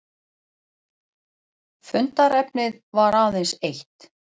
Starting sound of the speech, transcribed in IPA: f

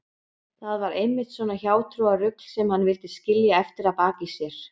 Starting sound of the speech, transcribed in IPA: θ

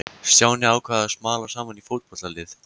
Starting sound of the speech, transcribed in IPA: s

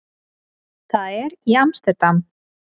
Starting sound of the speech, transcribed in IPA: θ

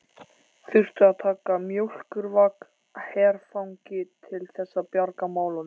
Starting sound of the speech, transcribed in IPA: θ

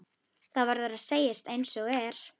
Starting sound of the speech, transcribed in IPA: θ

